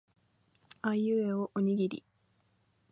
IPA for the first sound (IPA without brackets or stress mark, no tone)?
a